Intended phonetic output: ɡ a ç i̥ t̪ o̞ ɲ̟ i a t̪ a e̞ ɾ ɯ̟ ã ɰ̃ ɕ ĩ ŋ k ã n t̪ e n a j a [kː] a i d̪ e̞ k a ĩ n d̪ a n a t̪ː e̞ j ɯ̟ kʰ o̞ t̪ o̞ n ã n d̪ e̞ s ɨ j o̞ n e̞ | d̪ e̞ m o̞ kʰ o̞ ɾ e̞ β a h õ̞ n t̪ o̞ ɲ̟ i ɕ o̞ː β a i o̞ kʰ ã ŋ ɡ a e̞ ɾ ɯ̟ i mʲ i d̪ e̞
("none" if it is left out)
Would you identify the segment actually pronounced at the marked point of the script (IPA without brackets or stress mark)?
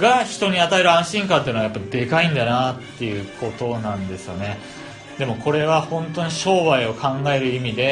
pː